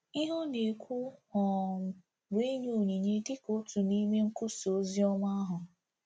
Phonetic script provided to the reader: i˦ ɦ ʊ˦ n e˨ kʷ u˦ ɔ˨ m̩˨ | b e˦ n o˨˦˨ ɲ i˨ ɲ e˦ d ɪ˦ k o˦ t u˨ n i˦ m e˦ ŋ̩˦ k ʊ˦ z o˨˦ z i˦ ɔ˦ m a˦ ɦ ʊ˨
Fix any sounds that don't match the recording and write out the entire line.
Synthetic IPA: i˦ ɦ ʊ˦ n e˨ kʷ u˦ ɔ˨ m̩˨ | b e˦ ɲ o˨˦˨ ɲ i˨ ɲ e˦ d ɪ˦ k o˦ t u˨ n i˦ m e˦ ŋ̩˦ k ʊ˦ s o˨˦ z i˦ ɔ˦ m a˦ ɦ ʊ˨

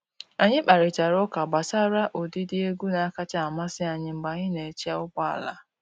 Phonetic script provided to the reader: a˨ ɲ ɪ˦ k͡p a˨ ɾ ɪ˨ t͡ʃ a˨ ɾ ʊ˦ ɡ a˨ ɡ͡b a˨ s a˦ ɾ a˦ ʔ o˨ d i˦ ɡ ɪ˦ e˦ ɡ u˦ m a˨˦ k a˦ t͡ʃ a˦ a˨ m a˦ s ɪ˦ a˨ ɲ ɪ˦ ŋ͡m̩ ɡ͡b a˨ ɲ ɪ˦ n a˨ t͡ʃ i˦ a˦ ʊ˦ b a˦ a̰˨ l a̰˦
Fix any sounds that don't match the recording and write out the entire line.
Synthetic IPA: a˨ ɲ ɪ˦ k͡p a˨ ɾ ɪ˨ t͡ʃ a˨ ɾ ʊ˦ k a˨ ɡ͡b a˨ s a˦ ɾ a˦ ʔ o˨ d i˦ d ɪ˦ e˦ ɡ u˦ n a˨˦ k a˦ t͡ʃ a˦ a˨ m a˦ s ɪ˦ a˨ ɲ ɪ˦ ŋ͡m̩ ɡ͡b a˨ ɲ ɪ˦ n e˨ t͡ʃ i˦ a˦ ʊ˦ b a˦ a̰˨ l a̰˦

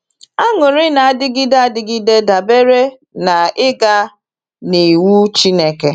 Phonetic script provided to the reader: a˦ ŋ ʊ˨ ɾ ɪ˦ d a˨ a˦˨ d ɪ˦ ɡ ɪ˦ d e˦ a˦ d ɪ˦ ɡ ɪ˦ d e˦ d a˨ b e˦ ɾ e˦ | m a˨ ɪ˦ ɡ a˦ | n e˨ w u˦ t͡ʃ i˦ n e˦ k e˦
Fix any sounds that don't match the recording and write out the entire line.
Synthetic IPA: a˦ ŋ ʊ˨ ɾ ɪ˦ n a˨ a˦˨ d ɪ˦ ɡ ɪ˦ d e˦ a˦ d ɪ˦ ɡ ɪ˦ d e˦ d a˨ b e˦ ɾ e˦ | n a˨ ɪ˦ ɡ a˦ | n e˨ w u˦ t͡ʃ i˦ n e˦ k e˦

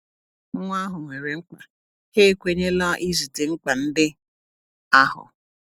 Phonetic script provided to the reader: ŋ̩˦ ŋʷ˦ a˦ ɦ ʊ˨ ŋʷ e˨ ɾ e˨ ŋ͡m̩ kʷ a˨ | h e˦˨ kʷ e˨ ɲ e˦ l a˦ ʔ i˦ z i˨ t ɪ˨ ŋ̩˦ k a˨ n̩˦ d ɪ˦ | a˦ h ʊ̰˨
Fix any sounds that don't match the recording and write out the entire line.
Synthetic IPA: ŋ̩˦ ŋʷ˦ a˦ ɦ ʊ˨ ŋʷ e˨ ɾ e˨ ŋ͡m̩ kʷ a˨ | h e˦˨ kʷ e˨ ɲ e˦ l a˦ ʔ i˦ z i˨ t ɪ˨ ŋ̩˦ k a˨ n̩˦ d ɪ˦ | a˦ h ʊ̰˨

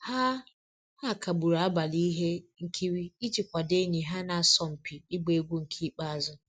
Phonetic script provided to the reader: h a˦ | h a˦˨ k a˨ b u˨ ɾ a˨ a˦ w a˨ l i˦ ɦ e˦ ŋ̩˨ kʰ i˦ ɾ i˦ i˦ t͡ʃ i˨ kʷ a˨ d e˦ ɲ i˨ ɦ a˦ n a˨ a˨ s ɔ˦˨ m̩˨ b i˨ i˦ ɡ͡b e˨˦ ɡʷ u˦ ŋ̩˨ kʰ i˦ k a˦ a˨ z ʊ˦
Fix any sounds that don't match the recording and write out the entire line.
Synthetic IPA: h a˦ | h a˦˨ k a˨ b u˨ ɾ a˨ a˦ b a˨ l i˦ ɦ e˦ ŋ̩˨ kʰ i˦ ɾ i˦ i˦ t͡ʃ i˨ kʷ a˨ d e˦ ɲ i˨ ɦ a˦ n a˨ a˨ s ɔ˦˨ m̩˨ p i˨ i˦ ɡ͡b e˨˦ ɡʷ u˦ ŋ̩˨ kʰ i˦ k͡p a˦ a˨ z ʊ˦

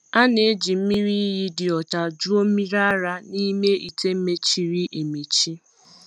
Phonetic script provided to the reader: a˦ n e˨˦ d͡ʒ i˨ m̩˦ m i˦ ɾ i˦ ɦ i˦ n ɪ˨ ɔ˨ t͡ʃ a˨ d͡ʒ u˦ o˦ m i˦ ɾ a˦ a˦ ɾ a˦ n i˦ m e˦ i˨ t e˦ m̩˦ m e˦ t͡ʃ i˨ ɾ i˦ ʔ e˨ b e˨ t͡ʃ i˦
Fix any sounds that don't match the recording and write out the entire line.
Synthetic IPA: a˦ n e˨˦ d͡ʒ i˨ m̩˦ m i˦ ɾ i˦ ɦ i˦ d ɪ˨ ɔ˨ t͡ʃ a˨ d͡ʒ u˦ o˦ m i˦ ɾ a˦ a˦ ɾ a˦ n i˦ m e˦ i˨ t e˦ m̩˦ m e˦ t͡ʃ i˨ ɾ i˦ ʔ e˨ m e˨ t͡ʃ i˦

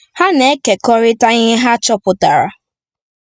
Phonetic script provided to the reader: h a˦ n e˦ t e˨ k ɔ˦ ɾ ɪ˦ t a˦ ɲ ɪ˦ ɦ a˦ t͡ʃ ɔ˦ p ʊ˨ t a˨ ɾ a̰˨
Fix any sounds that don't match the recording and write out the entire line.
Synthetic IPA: h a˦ n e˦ k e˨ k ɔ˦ ɾ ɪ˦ t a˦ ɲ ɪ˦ ɦ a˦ t͡ʃ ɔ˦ p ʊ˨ t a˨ ɾ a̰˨

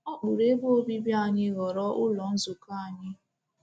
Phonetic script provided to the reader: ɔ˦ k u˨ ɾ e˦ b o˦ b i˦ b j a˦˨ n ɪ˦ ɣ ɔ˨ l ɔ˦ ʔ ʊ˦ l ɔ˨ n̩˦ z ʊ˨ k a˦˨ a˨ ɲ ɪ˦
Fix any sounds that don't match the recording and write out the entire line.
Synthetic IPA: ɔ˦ k͡p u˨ ɾ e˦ b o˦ b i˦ b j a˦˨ ɲ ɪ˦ ɣ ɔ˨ ɾ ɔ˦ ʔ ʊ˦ l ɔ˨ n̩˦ z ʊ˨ k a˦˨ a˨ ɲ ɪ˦

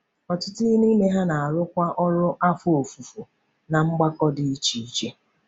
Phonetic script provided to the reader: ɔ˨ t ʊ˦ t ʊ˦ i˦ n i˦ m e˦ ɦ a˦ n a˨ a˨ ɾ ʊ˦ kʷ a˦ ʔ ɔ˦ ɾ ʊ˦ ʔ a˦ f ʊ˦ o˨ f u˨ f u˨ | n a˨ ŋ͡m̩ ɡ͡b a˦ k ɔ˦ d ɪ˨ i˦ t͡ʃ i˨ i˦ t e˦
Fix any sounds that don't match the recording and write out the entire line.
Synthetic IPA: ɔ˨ t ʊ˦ t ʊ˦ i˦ n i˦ m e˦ ɦ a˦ n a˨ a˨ ɾ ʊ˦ kʷ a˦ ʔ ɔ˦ ɾ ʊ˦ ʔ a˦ f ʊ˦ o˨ f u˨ f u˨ | n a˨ ŋ͡m̩ ɡ͡b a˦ k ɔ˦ d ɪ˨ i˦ t͡ʃ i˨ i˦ t͡ʃ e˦

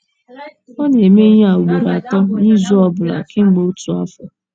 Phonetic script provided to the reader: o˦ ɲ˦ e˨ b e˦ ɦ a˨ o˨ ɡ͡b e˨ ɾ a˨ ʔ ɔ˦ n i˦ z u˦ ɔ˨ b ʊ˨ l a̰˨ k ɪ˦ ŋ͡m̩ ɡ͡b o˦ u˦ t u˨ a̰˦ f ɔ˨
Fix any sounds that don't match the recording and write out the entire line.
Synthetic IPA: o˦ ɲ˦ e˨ m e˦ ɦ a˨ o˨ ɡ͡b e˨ ɾ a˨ t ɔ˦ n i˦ z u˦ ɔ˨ b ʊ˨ l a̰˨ k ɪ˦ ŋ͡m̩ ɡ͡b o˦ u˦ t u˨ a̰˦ f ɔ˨

